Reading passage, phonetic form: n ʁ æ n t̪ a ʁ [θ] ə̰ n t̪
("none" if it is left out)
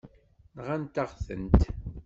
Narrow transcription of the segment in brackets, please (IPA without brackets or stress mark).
θ